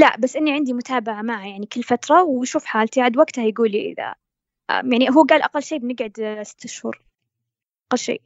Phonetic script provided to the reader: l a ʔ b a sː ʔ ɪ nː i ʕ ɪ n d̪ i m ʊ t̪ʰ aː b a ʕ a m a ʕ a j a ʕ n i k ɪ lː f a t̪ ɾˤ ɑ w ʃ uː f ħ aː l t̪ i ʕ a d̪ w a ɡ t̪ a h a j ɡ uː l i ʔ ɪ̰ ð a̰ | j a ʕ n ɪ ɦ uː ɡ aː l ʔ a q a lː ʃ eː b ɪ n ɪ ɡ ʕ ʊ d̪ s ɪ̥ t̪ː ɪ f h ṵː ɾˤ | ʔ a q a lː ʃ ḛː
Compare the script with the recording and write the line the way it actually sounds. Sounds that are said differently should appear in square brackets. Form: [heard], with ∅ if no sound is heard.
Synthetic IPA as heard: l a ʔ b a sː ʔ ɪ nː i ʕ ɪ n d̪ i m ʊ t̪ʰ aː b a ʕ a m a ʕ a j a ʕ n i k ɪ lː f a t̪ ɾˤ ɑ w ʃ uː f ħ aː l t̪ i ʕ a d̪ w a ɡ t̪ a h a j ɡ uː l i ʔ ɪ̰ ð a̰ | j a ʕ n [i] ɦ uː ɡ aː l ʔ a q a lː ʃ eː b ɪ n ɪ ɡ ʕ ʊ d̪ s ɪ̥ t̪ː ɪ [ʃ] h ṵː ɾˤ | ʔ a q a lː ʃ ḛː